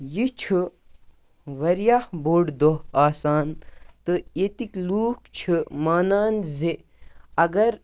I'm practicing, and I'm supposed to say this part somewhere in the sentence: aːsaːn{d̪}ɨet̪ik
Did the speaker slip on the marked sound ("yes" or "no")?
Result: yes